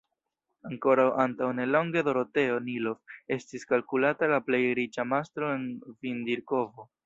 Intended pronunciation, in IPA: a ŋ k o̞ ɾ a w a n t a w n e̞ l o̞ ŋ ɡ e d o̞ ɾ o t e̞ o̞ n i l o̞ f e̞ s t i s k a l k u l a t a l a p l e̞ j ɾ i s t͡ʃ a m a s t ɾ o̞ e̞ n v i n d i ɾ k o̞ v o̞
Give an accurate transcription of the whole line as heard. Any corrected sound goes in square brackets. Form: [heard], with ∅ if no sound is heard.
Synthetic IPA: a ŋ k o̞ ɾ a w a n t a w n e̞ l o̞ ŋ ɡ e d o̞ ɾ o t e̞ o̞ n i l o̞ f e̞ s t i s k a l k u l a t a l a p l e̞ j ɾ i [∅] t͡ʃ a m a s t ɾ o̞ e̞ n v i n d i ɾ k o̞ v o̞

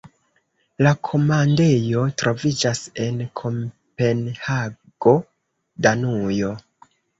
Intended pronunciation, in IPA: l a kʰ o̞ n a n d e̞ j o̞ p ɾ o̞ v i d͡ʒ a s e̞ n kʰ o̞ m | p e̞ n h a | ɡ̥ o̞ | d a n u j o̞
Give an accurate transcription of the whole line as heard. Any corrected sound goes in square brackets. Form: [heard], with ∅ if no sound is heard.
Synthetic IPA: l a kʰ o̞ [m] a n d e̞ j o̞ [t] ɾ o̞ v i d͡ʒ a s e̞ n kʰ o̞ m | p e̞ n h a | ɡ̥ o̞ | d a n u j o̞

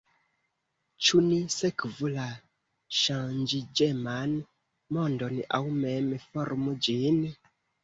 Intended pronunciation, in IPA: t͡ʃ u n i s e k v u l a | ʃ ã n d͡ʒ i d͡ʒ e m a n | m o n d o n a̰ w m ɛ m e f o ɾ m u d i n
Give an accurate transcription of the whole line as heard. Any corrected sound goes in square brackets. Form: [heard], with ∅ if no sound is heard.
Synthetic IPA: t͡ʃ u n i s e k v u l a | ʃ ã n d͡ʒ i d͡ʒ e m a n | m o n d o n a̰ w m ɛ m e f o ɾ m u [d͡ʒ] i n

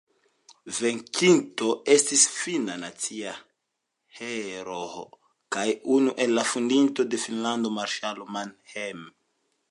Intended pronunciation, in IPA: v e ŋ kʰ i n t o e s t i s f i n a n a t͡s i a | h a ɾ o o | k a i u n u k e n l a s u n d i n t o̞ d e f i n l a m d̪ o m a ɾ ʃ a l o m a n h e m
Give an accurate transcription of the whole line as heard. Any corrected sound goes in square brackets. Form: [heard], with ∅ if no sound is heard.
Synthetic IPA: v e ŋ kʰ i n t o e s t i s f i n a n a t͡s i a | h [e] ɾ o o | k a [j] u n u [ʔ] e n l a [f] u n d i n t o̞ d e f i n l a [n] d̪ o m a ɾ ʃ a l o m a n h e m

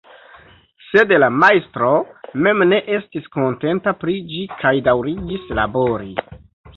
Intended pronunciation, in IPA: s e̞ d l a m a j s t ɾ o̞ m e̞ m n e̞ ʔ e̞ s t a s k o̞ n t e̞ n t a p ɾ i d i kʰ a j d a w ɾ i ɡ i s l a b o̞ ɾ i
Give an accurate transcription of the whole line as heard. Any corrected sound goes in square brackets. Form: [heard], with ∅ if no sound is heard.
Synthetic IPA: s e̞ d l a m a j s t ɾ o̞ m e̞ m n e̞ ʔ e̞ s t [i] s k o̞ n t e̞ n t a p ɾ i [d͡ʒ] i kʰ a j d a w ɾ i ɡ i s l a b o̞ ɾ i

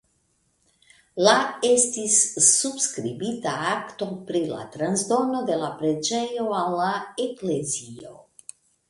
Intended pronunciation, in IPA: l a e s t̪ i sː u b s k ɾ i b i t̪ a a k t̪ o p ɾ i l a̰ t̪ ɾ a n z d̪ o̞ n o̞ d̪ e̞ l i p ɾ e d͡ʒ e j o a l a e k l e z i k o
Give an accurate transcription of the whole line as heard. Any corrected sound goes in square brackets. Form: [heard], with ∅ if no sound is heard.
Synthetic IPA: l a e s t̪ i sː u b s k ɾ i b i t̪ a a k t̪ o p ɾ i l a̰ t̪ ɾ a n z d̪ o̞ n o̞ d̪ e̞ l [a] p ɾ e d͡ʒ e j o a l a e k l e z i [∅] o

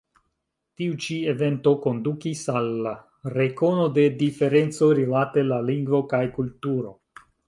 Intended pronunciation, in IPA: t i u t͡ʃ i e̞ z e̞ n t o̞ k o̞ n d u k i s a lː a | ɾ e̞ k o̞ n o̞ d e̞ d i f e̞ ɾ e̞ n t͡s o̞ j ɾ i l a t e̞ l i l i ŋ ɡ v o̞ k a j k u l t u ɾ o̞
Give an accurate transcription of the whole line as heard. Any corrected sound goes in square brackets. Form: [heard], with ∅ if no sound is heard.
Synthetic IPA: t i u t͡ʃ i e̞ [v] e̞ n t o̞ k o̞ n d u k i s a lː a | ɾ e̞ k o̞ n o̞ d e̞ d i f e̞ ɾ e̞ n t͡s o̞ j ɾ i l a t e̞ l [a] l i ŋ ɡ v o̞ k a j k u l t u ɾ o̞

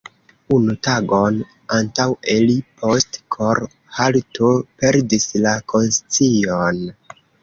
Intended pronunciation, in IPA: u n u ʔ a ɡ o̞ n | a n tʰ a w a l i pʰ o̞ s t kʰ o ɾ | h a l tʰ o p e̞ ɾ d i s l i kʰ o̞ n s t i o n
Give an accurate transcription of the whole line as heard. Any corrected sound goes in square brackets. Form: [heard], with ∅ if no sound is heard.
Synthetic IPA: u n u [t] a ɡ o̞ n | a n [t] a w [e] l i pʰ o̞ s t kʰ o ɾ | h a l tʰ o p e̞ ɾ d i s l [a] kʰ o̞ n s [t͡s] i o n

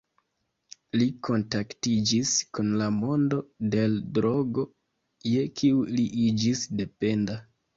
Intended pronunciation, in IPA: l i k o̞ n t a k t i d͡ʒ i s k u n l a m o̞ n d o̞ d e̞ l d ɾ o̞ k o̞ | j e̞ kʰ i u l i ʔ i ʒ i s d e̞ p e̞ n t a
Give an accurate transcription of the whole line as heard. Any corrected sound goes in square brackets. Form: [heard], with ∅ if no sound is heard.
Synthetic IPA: l i k o̞ n t a k t i d͡ʒ i s k u n l a m o̞ n d o̞ d e̞ l d ɾ o̞ [ɡ] o̞ | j e̞ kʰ i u l i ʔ i [d͡ʒ] i s d e̞ p e̞ n [d] a

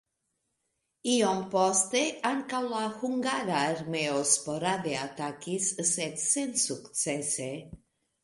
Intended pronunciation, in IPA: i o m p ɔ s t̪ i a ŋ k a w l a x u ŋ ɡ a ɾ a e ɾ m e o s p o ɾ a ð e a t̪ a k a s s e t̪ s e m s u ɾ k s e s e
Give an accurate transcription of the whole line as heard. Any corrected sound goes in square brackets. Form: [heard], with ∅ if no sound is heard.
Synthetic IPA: i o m p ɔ s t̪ [e] a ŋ k a w l a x u ŋ ɡ a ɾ a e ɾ m e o s p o ɾ a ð e a t̪ a k [i] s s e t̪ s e [n] s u [∅] k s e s e

